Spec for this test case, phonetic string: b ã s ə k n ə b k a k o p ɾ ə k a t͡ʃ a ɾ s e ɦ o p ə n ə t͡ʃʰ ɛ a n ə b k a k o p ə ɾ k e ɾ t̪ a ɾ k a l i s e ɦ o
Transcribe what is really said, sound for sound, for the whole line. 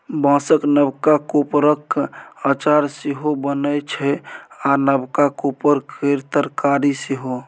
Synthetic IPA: b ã s ə k n ə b k a k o p ɾ ə k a t͡ʃ a ɾ s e ɦ o b ə n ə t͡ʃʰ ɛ a n ə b k a k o p ə ɾ k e ɾ t̪ ə ɾ k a ɾ i s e ɦ o